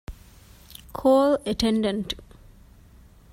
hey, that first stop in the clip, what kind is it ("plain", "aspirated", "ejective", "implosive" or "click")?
aspirated